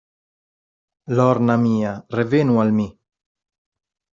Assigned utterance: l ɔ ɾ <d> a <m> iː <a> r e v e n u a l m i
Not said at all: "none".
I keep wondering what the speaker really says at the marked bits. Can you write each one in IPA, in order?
n, m, a

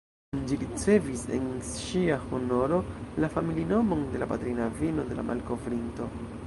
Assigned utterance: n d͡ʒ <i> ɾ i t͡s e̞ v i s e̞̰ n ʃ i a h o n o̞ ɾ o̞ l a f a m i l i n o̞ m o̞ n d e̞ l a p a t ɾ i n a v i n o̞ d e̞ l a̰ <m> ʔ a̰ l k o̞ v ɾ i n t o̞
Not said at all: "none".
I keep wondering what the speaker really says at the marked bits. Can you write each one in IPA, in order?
i, m

